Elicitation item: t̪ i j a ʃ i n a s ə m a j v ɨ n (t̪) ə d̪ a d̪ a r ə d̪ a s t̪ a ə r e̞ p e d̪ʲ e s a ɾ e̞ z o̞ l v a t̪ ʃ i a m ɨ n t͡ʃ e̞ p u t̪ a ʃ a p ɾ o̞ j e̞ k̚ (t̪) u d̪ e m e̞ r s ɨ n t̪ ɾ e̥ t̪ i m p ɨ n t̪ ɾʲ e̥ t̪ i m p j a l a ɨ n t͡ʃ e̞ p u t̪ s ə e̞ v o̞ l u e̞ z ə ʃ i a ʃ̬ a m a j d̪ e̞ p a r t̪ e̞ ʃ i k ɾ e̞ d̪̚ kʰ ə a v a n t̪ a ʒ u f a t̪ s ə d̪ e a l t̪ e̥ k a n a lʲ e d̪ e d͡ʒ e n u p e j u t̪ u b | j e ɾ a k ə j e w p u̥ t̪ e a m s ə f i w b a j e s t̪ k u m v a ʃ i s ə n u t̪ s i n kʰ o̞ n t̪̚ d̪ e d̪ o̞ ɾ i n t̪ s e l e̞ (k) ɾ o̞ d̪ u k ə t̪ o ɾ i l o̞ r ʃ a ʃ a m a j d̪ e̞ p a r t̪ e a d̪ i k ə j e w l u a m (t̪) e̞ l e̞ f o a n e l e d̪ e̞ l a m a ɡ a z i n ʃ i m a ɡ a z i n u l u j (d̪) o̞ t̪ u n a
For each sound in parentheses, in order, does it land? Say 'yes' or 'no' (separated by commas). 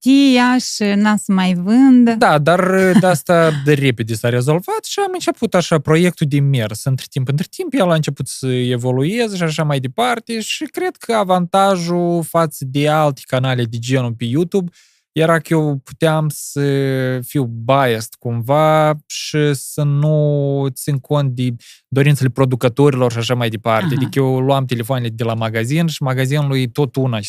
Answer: no, yes, no, yes, no